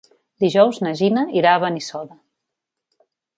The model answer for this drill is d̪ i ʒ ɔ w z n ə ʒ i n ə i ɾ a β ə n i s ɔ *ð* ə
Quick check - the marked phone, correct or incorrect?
correct